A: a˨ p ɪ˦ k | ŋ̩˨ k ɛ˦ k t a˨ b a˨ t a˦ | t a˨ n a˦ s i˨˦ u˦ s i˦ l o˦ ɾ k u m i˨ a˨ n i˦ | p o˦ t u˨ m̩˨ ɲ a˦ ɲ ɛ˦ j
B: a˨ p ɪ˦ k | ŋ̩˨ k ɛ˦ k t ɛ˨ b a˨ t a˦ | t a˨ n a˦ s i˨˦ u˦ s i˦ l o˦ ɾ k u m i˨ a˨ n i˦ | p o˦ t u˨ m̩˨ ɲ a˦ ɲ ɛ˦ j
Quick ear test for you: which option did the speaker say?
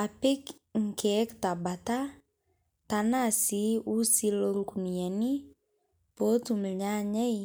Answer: A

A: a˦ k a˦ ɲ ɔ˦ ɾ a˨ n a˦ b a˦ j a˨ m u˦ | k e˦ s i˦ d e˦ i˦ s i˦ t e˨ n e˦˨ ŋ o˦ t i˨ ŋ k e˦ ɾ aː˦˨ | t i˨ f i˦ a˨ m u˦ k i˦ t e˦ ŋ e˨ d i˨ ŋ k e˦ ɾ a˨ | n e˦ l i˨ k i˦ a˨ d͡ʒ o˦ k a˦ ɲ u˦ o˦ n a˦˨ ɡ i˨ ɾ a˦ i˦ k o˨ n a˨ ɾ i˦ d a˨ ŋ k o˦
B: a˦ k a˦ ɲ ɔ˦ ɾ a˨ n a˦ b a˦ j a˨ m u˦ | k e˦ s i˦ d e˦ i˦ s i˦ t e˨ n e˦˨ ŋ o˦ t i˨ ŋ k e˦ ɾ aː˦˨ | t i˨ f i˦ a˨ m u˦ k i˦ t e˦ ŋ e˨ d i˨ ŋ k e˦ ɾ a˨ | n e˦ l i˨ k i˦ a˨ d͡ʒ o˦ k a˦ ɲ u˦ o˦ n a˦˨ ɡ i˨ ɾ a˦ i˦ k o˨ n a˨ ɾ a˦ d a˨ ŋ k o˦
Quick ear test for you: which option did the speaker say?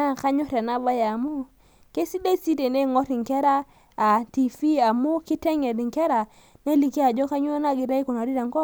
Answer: A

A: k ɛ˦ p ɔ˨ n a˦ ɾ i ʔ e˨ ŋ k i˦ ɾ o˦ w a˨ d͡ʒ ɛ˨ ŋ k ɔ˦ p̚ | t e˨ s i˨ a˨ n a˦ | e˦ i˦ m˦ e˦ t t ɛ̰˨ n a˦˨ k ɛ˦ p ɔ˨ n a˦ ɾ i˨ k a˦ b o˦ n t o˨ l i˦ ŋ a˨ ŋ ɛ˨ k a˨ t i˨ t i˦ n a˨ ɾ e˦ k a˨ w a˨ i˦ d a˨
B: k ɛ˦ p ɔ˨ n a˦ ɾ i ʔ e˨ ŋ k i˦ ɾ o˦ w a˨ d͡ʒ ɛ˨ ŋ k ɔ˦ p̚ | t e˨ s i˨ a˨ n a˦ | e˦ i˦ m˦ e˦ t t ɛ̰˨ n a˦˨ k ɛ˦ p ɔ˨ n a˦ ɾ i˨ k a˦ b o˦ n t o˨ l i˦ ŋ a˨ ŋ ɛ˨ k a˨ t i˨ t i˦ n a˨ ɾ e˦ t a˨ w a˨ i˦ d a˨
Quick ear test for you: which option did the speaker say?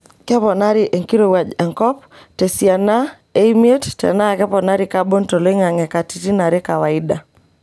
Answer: A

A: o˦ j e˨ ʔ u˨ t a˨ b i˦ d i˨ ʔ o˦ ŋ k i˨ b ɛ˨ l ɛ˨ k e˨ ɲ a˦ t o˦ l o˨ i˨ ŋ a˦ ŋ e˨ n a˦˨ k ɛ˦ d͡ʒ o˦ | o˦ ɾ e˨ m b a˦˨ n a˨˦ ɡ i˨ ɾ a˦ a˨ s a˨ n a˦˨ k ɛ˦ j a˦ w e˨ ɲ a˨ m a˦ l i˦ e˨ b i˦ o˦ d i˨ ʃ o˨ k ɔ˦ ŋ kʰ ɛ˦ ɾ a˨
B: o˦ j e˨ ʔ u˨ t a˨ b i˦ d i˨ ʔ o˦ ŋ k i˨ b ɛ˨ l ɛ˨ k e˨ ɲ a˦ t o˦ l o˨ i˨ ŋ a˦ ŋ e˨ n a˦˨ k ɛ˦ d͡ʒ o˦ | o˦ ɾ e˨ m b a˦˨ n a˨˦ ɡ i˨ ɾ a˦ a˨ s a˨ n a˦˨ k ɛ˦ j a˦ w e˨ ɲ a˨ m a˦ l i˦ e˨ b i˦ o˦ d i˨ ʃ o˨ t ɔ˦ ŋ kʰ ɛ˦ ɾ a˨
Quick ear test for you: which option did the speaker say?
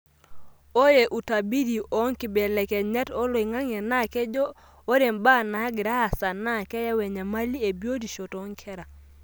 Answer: B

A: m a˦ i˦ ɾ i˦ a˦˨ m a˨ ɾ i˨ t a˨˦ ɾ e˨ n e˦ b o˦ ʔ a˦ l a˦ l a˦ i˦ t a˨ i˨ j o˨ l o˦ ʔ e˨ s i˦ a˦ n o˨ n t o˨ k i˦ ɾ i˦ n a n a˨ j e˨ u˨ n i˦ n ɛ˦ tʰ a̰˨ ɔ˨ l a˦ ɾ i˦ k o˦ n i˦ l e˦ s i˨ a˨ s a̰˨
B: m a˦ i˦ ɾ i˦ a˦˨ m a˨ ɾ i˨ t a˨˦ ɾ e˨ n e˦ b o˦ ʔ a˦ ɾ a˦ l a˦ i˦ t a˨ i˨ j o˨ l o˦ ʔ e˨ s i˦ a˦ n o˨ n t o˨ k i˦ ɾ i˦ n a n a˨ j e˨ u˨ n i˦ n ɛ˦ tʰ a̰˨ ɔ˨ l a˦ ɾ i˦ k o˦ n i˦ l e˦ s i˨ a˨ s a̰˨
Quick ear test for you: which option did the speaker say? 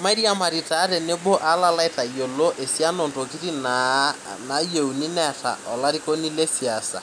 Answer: A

